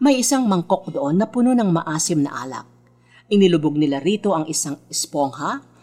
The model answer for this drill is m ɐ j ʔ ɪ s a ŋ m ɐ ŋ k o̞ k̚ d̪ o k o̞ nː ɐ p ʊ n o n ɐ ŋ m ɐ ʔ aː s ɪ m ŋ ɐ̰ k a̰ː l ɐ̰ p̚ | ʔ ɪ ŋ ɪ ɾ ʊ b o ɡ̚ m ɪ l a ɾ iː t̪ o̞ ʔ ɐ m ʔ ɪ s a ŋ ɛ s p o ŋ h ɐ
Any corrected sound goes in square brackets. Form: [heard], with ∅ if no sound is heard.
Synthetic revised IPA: m ɐ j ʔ ɪ s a ŋ m ɐ ŋ k o̞ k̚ d̪ o [ʔ] o̞ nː ɐ p ʊ n o n ɐ ŋ m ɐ ʔ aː s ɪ m [n] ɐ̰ [ʔ] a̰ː l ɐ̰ [k̚] | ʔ ɪ [n] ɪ [l] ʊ b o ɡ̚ [n] ɪ l a ɾ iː t̪ o̞ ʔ ɐ [ŋ] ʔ ɪ s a ŋ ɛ s p o ŋ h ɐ